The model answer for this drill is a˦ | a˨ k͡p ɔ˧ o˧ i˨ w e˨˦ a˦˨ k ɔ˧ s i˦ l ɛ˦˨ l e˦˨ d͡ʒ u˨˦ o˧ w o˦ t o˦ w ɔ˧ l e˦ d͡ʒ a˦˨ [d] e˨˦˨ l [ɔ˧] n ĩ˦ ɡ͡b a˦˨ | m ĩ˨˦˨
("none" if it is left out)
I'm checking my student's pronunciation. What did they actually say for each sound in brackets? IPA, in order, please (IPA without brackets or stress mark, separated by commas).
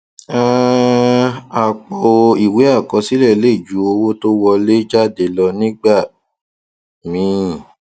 d, ɔ˧